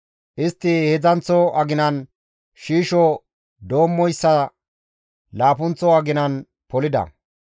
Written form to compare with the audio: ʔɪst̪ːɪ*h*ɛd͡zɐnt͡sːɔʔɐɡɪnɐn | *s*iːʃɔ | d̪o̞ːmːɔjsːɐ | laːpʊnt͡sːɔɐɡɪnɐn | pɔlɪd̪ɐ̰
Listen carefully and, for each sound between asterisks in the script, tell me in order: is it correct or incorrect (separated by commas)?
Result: correct, incorrect